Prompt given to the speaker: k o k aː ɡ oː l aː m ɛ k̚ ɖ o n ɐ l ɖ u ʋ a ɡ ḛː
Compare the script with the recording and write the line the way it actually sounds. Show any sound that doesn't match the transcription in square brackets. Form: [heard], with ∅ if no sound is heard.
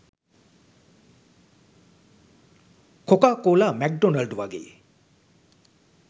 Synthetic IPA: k o k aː [k] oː l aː m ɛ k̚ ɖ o n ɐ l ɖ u ʋ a ɡ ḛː

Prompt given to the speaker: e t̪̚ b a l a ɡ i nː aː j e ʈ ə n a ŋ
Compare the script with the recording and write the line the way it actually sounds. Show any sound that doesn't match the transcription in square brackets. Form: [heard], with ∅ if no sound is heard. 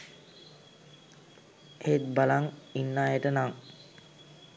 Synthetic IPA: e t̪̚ b a l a [ŋ] i nː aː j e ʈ ə n a ŋ

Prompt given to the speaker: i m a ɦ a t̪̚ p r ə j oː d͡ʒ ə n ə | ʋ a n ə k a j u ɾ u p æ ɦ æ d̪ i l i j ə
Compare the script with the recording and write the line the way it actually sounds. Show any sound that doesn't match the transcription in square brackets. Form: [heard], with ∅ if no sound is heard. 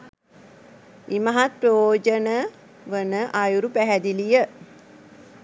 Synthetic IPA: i m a ɦ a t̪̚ p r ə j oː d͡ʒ ə n ə | ʋ [ə] n ə [ʔ] a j u ɾ u p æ ɦ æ d̪ i l i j ə

